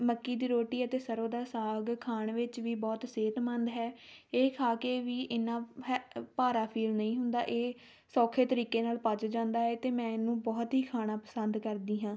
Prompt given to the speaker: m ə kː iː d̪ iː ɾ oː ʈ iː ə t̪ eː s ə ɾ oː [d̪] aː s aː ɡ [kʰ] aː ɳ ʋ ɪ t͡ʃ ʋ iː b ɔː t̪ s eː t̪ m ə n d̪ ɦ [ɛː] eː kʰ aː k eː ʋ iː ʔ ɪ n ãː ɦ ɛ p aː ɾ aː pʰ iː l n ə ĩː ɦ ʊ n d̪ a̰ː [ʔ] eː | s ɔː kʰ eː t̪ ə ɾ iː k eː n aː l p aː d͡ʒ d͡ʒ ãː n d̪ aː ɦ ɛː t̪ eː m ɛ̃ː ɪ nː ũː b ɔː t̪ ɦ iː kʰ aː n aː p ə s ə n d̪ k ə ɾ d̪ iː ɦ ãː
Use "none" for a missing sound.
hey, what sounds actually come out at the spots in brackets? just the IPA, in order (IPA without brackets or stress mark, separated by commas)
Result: d̪, kʰ, ɛː, ʔ